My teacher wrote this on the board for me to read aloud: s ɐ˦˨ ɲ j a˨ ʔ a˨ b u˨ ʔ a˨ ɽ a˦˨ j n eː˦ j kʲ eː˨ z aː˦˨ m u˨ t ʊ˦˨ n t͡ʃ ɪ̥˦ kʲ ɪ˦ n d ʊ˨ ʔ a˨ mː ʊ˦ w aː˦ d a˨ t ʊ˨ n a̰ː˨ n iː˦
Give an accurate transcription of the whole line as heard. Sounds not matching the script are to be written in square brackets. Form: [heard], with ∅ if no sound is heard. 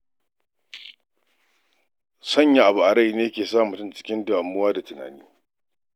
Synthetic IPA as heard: s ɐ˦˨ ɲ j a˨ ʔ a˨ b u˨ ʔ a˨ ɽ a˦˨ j n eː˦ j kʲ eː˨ [s] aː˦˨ m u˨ t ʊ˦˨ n t͡ʃ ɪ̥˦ kʲ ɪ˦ n d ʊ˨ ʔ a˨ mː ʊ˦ w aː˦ d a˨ t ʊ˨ n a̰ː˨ n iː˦